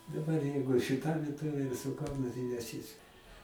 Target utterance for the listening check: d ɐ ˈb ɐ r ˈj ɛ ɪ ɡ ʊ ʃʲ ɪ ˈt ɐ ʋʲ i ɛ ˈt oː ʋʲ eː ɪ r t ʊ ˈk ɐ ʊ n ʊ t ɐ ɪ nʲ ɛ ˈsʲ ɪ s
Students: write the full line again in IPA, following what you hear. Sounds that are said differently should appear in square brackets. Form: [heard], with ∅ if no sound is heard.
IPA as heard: d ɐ ˈb ɐ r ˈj ɛ ɪ ɡ ʊ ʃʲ ɪ ˈt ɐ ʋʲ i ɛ ˈt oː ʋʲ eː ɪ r [s] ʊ ˈk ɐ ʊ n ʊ t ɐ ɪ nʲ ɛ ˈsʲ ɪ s